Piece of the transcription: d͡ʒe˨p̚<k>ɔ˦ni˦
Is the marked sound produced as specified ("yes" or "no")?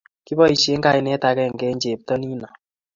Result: no